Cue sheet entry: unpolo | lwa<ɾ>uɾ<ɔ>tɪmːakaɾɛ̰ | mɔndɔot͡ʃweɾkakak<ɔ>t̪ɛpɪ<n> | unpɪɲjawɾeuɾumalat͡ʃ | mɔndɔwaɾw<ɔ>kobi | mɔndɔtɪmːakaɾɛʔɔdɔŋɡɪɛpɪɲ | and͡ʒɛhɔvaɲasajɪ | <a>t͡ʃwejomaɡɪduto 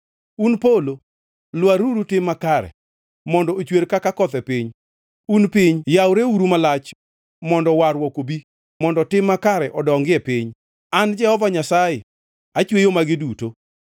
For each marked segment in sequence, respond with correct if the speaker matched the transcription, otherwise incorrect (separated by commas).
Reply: correct, incorrect, correct, incorrect, correct, correct